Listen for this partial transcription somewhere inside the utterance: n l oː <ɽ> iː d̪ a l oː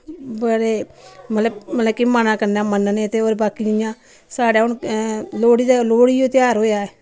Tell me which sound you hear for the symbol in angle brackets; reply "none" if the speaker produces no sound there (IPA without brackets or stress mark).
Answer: ɽ